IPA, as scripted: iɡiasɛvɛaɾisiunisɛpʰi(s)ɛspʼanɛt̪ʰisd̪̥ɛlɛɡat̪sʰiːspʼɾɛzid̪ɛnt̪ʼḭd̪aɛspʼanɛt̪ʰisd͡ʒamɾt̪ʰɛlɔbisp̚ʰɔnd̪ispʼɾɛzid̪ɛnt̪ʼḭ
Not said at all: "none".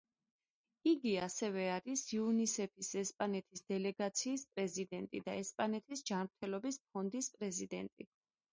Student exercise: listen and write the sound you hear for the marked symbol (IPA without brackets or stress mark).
s